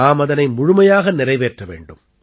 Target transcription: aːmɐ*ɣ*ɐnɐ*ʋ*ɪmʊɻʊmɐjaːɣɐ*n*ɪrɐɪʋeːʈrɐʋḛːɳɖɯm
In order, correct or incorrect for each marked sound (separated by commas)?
incorrect, incorrect, correct